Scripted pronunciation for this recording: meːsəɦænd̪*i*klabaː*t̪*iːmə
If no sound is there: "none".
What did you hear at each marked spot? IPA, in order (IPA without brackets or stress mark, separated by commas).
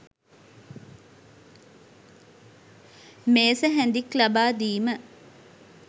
i, d̪